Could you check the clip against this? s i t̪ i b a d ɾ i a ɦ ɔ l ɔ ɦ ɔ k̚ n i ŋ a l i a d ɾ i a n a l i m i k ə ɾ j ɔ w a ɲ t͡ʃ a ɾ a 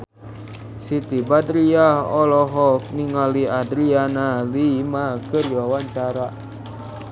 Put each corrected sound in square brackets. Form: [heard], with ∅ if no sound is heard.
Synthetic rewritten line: s i t̪ i b a d ɾ i a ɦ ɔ l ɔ ɦ ɔ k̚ n i ŋ a l i a d ɾ i a n a l i m [a] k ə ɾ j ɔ w a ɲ t͡ʃ a ɾ a